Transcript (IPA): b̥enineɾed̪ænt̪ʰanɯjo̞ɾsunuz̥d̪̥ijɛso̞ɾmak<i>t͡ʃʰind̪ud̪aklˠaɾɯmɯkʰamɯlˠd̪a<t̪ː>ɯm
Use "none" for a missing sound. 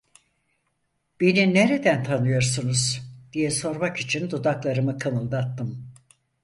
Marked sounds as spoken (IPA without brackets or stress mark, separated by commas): i, t̪ː